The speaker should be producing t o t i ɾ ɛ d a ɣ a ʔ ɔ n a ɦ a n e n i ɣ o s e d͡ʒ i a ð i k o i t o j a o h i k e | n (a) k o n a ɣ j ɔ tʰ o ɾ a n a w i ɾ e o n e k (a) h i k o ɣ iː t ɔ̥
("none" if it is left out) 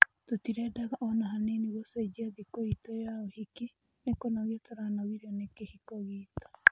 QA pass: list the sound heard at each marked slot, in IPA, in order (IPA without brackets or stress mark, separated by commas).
e, e